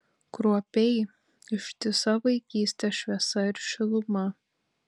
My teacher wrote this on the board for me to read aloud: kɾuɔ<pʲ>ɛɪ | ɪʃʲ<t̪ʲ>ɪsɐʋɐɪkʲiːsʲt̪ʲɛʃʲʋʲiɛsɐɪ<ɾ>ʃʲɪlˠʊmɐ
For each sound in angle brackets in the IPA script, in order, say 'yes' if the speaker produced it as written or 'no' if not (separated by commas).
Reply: yes, yes, yes